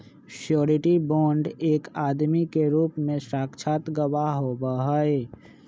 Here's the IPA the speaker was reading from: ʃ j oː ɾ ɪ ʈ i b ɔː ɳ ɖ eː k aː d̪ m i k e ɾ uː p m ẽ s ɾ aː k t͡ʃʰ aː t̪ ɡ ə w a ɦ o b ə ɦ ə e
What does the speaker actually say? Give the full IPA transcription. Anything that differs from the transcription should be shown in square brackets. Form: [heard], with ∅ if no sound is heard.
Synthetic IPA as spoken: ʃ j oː ɾ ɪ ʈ i b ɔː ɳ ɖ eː k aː d̪ m i k e ɾ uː p m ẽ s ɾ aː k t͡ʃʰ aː t̪ ɡ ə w a ɦ o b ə ɦ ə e